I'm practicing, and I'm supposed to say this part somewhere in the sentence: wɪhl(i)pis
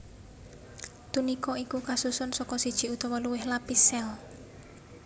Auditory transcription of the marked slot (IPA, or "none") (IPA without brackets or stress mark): a